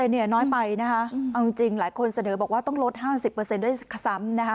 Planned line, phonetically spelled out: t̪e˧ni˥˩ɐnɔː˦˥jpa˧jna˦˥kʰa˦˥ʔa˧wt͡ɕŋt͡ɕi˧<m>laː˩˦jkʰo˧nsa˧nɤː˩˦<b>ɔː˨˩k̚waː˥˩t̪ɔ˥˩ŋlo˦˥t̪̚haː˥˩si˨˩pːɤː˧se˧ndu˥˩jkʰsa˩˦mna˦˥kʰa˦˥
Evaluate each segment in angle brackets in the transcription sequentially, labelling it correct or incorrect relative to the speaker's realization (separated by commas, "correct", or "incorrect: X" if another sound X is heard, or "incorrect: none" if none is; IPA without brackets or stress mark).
incorrect: ŋ, correct